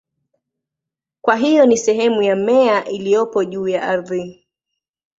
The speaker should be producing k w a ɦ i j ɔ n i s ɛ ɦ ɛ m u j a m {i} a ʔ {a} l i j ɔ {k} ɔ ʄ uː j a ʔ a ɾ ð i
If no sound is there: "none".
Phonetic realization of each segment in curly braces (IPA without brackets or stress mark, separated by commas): ɛ, i, p